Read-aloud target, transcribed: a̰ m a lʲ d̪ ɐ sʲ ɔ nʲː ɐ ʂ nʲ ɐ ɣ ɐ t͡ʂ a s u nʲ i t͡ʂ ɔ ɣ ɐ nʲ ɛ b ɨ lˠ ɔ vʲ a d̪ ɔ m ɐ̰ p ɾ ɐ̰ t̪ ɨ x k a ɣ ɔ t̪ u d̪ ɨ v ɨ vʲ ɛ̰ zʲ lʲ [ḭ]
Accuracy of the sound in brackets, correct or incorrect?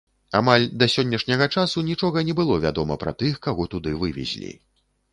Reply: correct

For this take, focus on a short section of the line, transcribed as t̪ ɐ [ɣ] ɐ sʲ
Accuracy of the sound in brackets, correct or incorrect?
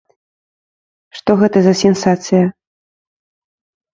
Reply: incorrect: z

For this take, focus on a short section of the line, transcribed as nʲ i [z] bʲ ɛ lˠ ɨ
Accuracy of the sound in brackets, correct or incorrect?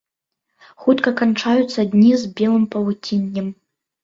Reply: correct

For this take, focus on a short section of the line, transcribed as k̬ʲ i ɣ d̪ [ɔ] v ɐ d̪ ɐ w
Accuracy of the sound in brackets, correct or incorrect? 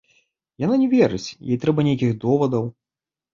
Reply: correct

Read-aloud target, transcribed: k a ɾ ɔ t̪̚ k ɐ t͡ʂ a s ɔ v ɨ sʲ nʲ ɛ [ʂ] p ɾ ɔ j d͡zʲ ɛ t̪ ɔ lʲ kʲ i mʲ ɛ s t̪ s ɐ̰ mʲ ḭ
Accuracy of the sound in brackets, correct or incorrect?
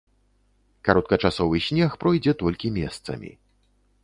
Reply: incorrect: x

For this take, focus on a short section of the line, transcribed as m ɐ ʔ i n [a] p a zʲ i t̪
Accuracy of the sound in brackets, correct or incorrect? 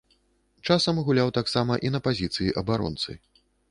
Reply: incorrect: ɐ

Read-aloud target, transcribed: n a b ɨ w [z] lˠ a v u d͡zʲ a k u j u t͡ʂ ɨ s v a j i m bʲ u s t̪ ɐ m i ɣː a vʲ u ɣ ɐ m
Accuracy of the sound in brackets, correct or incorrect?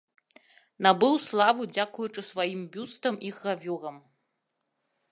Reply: incorrect: s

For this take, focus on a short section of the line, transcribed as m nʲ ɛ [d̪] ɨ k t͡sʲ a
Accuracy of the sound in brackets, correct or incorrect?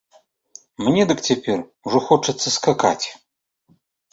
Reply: correct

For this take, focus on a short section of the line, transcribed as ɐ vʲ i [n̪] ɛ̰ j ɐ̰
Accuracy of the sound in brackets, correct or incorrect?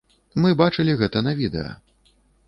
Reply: incorrect: d̪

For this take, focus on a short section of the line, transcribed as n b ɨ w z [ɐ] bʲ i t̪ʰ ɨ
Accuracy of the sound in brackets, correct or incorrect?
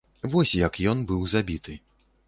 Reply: incorrect: a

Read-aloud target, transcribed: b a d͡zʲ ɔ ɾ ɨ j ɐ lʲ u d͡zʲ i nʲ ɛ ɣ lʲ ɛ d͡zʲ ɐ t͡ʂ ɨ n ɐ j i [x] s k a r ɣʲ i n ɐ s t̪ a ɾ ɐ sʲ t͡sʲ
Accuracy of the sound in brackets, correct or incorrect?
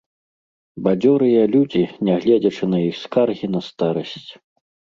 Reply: correct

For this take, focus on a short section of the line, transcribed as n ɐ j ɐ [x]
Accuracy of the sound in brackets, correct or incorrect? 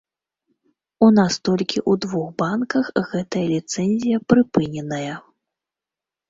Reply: incorrect: none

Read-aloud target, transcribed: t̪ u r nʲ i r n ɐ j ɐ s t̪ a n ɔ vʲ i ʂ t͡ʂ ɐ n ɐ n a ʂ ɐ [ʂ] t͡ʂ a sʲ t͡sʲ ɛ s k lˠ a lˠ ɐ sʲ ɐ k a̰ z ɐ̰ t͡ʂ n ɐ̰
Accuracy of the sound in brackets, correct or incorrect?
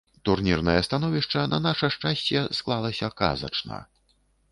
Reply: correct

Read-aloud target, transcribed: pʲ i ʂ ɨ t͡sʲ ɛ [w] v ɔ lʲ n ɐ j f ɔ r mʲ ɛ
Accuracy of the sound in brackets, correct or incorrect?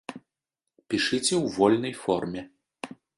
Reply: correct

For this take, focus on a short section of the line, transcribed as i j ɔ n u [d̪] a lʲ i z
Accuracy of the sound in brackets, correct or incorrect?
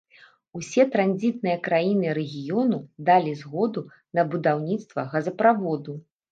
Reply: correct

